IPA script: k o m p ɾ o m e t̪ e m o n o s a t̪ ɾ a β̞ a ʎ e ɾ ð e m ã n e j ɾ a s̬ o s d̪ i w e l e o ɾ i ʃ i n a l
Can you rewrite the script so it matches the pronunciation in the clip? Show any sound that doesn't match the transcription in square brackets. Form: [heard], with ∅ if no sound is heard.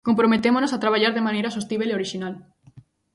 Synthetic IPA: k o m p ɾ o m e t̪ e m o n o s a t̪ ɾ a β̞ a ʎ [a] ɾ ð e m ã n e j ɾ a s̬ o s [t̪] i [β] e l e o ɾ i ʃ i n a l

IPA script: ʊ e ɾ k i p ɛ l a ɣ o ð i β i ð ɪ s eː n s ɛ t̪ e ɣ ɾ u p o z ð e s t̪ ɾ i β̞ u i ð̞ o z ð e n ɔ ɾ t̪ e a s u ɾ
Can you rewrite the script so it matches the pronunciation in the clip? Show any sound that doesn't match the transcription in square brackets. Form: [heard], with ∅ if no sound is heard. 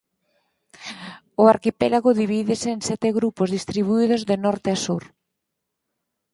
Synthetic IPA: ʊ [a] ɾ k i p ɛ l a ɣ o ð i β i ð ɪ s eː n s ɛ t̪ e ɣ ɾ u p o z ð [i] s t̪ ɾ i β̞ u i ð̞ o z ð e n ɔ ɾ t̪ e a s u ɾ

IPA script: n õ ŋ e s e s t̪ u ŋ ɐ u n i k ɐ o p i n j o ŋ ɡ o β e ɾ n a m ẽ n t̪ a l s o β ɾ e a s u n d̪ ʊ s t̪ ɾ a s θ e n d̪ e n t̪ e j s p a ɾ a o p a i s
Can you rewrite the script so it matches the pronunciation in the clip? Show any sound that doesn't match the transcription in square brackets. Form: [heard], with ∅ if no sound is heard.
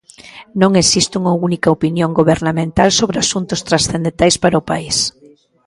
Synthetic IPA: n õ ŋ e s [i] s t̪ u ŋ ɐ u n i k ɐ o p i n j o ŋ ɡ o β e ɾ n a m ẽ n t̪ a l s o β ɾ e a s u n [t̪] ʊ s t̪ ɾ a s θ e n d̪ e n t̪ [a] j s p a ɾ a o p a i s

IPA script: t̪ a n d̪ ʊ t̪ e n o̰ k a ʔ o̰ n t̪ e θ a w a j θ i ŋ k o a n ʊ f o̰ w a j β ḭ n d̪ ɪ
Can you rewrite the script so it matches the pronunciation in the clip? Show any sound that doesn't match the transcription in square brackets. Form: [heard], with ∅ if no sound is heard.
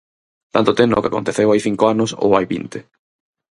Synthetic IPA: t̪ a n [t̪] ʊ t̪ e n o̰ k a [k] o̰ n t̪ e θ [e] w a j θ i ŋ k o a n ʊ [s] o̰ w a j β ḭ n [t̪] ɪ

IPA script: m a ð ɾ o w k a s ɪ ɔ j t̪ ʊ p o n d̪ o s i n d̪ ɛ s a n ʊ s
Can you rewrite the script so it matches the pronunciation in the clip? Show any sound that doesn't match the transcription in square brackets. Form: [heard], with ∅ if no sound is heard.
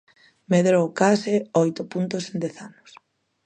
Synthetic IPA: m [e] ð ɾ o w k a s ɪ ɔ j t̪ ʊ p [u] n [t̪] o s [e] n d̪ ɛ [θ] a n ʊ s

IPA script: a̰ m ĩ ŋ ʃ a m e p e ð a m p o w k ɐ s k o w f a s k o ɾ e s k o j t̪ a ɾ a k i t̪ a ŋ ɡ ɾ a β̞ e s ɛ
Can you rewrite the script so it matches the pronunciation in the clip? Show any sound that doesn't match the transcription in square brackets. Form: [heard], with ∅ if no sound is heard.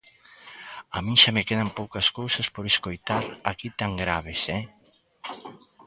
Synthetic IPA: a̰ m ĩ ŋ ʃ a m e [k] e ð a m p o w k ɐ s k o w [s] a s [p] o ɾ e s k o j t̪ a ɾ a k i t̪ a ŋ ɡ ɾ a β̞ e s ɛ

